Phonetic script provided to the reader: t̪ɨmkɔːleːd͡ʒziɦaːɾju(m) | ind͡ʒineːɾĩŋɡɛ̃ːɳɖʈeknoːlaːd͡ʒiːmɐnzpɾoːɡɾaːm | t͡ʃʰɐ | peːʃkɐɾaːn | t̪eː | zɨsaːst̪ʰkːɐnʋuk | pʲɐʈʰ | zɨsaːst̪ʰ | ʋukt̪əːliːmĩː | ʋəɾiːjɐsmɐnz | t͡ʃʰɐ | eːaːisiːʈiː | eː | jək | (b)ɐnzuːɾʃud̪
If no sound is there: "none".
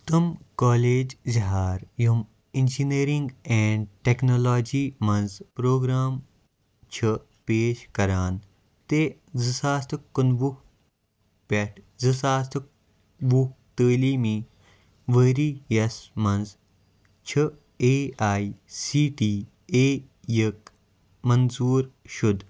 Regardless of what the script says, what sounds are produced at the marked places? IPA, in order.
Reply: m, m

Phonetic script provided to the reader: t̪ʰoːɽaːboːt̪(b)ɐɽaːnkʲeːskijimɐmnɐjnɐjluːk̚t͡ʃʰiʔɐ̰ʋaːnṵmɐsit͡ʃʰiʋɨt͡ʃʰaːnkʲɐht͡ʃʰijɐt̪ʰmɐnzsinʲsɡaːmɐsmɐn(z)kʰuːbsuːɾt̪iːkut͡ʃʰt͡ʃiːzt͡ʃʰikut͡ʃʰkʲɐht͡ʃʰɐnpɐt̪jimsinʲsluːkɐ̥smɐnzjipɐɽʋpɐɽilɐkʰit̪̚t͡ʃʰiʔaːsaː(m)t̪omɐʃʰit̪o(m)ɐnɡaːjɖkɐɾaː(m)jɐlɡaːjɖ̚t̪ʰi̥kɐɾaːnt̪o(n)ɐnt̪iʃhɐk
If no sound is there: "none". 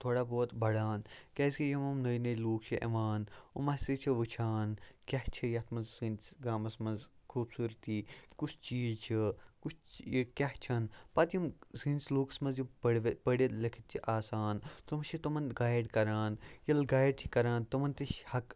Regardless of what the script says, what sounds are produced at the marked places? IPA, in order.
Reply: b, z, n, m, n, m

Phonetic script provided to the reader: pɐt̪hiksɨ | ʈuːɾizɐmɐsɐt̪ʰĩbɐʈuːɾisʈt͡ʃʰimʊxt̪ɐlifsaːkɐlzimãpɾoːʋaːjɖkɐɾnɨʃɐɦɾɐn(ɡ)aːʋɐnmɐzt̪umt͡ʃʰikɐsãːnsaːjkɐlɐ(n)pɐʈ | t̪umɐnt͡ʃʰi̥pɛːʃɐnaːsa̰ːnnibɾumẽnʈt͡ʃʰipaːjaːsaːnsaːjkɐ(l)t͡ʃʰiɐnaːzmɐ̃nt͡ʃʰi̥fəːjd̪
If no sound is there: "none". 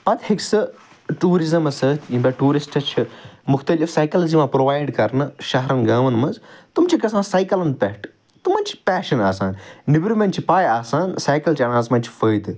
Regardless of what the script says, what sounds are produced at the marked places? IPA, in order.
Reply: ɡ, n, l

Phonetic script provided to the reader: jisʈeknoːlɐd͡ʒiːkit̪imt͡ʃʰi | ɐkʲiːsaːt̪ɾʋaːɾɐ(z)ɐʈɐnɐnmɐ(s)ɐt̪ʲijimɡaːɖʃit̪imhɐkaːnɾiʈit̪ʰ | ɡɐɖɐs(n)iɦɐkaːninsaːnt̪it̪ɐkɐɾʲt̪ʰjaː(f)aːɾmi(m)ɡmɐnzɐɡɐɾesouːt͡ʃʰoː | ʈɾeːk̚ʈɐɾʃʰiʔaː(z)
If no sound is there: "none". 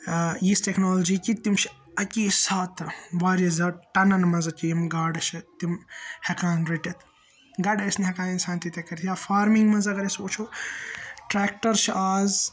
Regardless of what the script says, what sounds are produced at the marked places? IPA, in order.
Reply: z, z, n, f, ŋ, z

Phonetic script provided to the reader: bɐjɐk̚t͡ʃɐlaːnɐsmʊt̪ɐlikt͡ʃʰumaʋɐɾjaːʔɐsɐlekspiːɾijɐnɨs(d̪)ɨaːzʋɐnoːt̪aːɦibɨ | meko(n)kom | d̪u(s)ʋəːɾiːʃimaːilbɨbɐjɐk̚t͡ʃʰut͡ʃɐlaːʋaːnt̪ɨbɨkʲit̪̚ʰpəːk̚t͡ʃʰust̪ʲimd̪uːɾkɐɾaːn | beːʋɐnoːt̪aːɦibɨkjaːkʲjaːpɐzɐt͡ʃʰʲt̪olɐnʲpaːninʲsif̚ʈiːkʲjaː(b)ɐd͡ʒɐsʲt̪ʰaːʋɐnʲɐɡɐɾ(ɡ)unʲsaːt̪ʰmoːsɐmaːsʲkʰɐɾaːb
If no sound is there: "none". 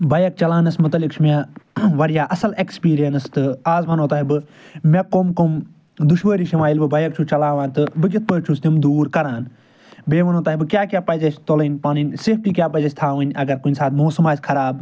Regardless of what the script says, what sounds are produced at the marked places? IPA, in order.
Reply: t̪, m, ʃ, p, k

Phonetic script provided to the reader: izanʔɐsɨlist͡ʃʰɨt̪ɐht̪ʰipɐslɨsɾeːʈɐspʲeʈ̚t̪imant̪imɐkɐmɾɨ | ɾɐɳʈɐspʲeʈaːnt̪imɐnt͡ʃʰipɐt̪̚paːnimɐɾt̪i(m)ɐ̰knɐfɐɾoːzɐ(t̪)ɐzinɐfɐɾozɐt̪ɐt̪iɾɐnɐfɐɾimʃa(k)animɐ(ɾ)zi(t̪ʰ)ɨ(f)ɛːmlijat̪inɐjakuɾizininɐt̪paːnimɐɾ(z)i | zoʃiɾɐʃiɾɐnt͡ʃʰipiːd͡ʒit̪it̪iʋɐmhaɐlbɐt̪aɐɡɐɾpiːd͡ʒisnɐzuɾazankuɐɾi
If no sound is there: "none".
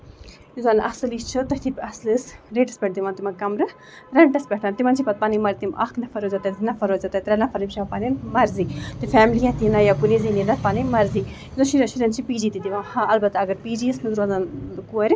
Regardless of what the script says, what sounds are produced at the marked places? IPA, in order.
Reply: m, t̪, p, ɾ, t̪, f, z

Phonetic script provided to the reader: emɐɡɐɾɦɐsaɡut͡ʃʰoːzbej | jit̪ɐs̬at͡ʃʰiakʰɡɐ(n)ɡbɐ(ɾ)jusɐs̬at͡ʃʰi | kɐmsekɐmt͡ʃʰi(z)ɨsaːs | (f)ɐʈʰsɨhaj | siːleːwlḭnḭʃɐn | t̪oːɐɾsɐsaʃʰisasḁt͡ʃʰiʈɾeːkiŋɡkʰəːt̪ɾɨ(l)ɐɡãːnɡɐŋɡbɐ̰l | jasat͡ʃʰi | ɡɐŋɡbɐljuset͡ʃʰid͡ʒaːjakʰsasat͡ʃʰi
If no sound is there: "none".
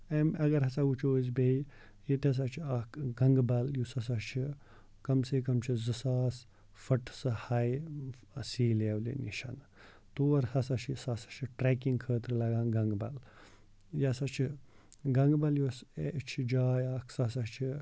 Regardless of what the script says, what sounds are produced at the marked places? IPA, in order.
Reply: ŋ, l, z, f, l

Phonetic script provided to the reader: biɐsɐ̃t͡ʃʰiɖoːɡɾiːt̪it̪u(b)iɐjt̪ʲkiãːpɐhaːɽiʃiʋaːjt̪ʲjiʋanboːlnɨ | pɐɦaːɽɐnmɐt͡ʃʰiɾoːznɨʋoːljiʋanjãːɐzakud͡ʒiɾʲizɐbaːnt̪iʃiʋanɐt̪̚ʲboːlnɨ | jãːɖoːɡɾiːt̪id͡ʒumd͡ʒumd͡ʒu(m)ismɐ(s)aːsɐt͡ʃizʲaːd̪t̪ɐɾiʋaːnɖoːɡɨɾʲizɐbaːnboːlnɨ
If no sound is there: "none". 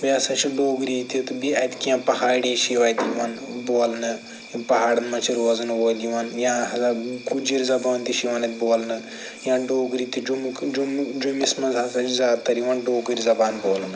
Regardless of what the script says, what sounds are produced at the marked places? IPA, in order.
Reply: b, m, z

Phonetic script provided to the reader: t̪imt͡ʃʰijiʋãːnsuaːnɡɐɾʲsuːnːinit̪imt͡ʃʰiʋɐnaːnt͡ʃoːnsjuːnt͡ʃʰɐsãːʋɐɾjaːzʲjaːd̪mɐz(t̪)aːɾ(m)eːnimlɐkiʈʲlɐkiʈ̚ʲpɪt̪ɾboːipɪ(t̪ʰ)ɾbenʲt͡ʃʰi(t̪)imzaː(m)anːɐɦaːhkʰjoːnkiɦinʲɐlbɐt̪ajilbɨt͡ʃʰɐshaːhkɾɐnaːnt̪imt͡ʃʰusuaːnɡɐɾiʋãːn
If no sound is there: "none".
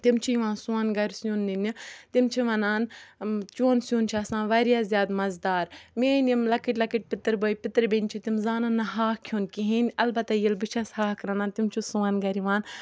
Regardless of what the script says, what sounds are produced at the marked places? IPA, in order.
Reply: d̪, m, t̪, t̪, n

